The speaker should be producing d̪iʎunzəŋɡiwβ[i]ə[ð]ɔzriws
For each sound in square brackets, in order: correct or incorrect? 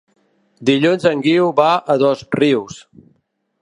incorrect: a, correct

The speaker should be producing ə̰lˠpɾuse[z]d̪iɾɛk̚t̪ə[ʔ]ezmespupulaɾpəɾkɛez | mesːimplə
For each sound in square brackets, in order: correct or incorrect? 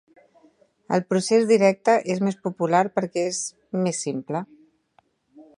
correct, correct

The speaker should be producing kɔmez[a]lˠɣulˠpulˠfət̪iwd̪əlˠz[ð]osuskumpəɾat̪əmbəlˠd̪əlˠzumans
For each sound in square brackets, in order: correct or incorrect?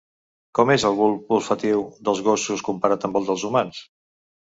incorrect: ə, incorrect: ɣ

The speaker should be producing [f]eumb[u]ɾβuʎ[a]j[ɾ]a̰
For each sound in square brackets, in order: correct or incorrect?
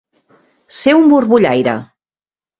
incorrect: s, correct, correct, correct

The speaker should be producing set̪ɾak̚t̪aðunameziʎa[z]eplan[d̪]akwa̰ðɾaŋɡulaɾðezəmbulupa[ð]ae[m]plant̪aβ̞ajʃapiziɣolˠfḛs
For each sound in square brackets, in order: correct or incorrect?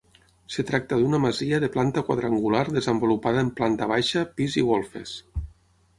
incorrect: ð, incorrect: t̪, correct, correct

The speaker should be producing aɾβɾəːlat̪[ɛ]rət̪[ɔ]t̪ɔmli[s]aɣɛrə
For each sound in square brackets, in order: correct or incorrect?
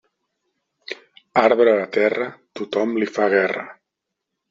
correct, incorrect: u, incorrect: f

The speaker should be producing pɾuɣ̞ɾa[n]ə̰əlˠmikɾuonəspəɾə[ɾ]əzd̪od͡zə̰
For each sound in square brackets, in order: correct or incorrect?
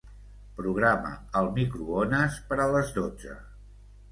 incorrect: m, incorrect: l

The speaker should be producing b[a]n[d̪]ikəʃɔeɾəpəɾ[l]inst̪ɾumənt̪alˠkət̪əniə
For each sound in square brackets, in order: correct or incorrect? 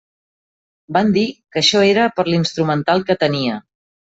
correct, correct, correct

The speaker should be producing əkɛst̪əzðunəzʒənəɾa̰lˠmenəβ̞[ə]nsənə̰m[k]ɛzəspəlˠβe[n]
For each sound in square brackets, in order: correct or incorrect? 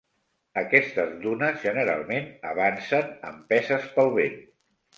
incorrect: a, incorrect: p, correct

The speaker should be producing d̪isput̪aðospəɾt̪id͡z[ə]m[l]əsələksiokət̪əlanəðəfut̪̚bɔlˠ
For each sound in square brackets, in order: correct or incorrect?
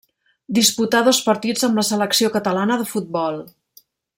correct, correct

